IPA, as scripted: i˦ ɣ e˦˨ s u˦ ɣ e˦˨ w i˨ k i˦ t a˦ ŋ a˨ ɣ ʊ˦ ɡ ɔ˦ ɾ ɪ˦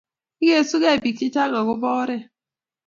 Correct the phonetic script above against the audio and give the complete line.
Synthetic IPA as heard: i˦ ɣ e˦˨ s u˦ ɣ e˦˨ b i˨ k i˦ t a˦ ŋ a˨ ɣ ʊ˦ b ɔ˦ ɾ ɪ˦